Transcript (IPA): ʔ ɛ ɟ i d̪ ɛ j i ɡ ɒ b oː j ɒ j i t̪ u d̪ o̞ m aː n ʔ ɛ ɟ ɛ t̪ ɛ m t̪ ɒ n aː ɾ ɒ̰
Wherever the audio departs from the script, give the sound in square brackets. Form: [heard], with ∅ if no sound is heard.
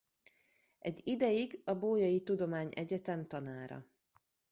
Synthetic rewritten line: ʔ ɛ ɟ i d̪ ɛ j i ɡ ɒ b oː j ɒ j i t̪ u d̪ o̞ m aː [ɲ] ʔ ɛ ɟ ɛ t̪ ɛ m t̪ ɒ n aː ɾ ɒ̰